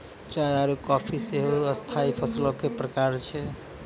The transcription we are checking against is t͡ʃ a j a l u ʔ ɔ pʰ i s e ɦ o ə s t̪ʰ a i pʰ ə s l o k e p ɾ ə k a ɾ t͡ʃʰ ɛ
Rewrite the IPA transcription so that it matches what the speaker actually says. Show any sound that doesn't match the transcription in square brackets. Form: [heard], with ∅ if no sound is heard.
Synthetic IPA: t͡ʃ a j a [ɾ] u [k] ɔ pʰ i s e ɦ o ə s t̪ʰ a i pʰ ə s l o k e p ɾ ə k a ɾ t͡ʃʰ ɛ